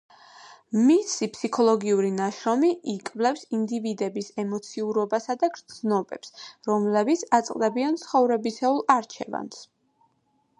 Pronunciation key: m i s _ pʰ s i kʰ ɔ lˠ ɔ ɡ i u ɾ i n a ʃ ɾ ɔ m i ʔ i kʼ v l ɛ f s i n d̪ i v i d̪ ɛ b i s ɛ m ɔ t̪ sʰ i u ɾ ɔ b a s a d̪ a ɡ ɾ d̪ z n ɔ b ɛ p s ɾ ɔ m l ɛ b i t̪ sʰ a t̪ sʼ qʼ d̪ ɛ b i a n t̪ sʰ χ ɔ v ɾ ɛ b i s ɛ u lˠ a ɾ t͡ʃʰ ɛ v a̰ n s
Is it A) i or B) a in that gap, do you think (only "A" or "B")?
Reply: A